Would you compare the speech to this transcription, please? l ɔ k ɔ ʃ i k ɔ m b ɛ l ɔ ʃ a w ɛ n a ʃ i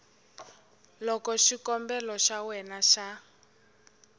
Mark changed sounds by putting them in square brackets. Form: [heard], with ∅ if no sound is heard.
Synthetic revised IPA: l ɔ k ɔ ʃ i k ɔ m b ɛ l ɔ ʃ a w ɛ n a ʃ [a]